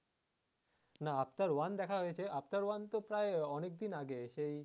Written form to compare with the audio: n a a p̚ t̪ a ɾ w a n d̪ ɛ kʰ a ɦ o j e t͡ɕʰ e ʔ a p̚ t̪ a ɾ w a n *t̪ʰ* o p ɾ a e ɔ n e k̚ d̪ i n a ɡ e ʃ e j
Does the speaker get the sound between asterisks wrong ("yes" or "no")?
yes